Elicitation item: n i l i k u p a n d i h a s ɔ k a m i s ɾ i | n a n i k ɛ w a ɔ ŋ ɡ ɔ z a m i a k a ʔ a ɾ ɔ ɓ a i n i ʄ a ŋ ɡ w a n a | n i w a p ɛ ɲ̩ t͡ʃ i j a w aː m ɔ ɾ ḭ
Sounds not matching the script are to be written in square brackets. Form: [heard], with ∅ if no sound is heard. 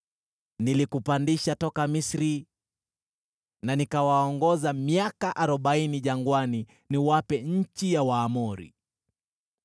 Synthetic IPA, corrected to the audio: n i l i k u p a n d i [ʃ] a [t] ɔ k a m i s ɾ i | n a n i k [a] w a ɔ ŋ ɡ ɔ z a m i a k a ʔ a ɾ ɔ ɓ a i n i ʄ a ŋ ɡ w a n [i] | n i w a p ɛ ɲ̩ t͡ʃ i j a w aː m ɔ ɾ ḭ